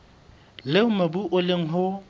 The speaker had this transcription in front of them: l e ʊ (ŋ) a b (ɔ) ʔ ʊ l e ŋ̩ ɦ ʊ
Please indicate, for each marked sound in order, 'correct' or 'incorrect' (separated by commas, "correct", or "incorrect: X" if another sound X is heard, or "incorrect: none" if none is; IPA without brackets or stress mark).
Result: incorrect: m, incorrect: u